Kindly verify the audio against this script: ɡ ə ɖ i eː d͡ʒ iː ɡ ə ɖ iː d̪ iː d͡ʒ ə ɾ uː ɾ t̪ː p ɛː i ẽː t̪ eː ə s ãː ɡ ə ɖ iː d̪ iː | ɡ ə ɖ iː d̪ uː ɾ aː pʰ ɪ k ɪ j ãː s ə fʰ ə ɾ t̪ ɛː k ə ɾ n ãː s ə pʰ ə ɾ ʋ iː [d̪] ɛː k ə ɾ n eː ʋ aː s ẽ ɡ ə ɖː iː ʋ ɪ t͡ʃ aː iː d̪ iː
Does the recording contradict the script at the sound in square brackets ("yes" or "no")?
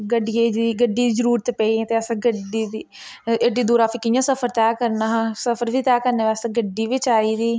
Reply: yes